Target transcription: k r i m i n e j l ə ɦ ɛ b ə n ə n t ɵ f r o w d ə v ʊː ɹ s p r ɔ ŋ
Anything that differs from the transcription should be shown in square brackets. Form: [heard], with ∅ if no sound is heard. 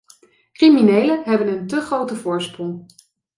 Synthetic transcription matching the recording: k r i m i n e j l ə ɦ ɛ b ə n ə n t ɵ [χ] r o w [t] ə v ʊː ɹ s p r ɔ ŋ